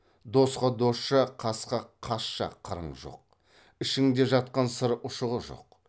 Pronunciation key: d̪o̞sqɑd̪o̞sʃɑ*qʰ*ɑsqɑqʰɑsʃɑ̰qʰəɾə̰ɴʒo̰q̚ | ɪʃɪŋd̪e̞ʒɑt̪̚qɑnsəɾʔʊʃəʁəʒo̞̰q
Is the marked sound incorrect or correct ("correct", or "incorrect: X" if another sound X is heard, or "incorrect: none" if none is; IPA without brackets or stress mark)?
correct